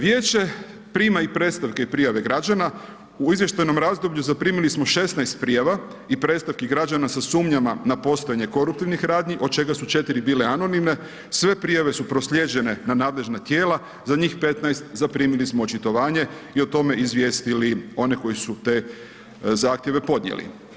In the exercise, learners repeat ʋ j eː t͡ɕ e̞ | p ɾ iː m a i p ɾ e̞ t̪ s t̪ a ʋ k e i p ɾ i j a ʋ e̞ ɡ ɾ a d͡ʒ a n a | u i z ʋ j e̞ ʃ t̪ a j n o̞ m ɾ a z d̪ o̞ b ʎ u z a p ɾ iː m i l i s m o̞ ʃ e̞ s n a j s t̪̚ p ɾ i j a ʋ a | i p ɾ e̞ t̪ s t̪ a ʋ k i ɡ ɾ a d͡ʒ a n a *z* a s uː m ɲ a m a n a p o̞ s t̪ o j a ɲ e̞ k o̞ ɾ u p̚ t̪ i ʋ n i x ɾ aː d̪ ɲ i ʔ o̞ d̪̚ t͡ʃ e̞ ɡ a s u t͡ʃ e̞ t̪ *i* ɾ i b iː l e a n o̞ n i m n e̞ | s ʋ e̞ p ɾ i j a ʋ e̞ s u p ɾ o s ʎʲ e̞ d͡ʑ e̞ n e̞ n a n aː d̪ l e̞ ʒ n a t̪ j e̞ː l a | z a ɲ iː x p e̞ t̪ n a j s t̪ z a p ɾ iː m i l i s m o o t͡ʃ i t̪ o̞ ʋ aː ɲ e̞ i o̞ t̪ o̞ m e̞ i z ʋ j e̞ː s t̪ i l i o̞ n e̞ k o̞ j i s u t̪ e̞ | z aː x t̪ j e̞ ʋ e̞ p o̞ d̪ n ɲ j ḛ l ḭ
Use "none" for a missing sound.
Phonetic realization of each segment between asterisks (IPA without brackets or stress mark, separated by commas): s, i